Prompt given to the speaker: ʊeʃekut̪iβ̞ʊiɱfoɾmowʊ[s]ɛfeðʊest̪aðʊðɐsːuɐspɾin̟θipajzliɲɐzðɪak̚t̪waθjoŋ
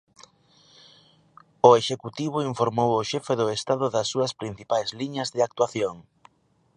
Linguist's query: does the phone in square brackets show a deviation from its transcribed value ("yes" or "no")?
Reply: yes